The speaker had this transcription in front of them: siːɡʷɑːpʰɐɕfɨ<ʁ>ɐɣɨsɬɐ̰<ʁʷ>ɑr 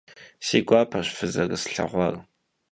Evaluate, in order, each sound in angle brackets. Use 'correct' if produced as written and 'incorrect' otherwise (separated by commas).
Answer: incorrect, correct